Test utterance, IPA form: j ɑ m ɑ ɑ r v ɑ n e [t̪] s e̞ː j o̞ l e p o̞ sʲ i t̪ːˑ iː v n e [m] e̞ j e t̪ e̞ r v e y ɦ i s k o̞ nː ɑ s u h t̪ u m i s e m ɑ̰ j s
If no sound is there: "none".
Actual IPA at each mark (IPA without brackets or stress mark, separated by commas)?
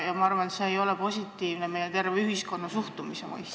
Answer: t̪, m